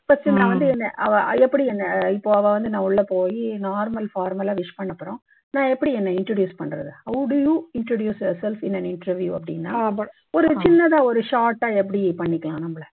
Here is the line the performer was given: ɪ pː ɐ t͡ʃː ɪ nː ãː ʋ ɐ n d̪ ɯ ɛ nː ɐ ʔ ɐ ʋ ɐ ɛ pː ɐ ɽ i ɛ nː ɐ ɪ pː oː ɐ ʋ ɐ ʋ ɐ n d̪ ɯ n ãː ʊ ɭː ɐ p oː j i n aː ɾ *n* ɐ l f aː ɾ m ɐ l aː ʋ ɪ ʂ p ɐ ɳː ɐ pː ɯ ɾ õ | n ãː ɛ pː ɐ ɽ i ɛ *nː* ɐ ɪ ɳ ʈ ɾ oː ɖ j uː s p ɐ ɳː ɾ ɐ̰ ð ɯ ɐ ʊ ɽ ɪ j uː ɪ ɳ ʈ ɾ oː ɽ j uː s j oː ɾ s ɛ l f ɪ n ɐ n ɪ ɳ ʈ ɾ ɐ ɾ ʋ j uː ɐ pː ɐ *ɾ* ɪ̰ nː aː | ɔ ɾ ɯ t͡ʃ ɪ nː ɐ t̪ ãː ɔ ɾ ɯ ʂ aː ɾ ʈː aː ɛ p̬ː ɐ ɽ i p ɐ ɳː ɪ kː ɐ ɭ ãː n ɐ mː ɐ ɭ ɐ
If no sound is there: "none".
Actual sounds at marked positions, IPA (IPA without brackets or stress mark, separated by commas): m, nː, ɽ